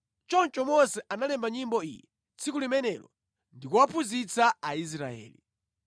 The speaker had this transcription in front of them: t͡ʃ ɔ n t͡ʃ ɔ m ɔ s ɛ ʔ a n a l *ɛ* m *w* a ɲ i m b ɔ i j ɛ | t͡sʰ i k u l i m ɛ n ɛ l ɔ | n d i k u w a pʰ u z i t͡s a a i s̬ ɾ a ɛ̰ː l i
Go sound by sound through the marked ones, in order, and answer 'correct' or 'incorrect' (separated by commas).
correct, incorrect